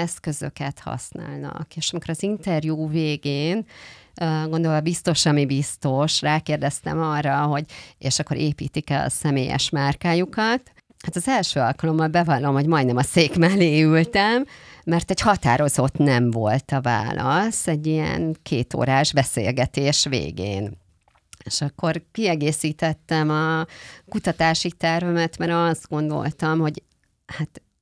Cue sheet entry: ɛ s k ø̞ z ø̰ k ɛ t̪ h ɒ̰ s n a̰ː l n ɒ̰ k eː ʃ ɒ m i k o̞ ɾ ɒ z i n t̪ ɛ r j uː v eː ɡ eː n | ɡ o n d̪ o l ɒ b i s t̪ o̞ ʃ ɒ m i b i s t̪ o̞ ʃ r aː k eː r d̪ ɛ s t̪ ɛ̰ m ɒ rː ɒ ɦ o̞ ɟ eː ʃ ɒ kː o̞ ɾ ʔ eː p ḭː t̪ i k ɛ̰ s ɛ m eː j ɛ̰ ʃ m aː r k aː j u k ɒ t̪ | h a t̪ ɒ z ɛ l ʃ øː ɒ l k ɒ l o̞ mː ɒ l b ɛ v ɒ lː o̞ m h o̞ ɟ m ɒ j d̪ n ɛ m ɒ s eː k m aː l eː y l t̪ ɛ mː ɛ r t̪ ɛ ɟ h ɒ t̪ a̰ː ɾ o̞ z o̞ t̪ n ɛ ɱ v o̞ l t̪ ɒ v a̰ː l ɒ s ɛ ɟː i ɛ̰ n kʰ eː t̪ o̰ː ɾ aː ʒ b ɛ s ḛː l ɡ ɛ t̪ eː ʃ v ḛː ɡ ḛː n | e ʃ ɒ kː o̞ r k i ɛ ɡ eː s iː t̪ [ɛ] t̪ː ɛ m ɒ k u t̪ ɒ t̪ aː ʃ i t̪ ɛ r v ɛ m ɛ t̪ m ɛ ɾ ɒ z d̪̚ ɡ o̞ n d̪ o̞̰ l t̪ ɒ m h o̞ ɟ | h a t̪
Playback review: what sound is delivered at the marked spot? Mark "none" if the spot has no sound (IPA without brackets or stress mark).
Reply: ɛ